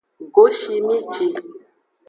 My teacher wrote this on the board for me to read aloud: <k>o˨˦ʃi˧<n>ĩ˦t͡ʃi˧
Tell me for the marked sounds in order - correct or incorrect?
incorrect: ɡ, incorrect: m

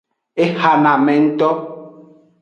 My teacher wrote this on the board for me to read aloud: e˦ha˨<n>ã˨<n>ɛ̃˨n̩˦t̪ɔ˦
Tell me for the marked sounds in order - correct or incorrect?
correct, incorrect: m

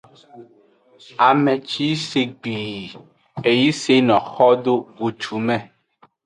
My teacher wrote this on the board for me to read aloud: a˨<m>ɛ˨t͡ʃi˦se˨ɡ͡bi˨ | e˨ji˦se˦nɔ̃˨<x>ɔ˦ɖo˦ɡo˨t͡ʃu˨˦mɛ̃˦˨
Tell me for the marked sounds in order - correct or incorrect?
correct, correct

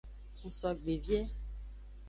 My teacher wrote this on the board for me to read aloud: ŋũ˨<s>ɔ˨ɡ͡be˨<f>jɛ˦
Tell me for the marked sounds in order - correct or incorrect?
correct, incorrect: v

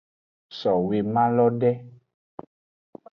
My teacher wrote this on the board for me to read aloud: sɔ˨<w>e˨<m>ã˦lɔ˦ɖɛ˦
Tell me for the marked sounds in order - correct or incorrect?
correct, correct

